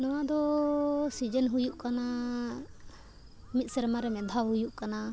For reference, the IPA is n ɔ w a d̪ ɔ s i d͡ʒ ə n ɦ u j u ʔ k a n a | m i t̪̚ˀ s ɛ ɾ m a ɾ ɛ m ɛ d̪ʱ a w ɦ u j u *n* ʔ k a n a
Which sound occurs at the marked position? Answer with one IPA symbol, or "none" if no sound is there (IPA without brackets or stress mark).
none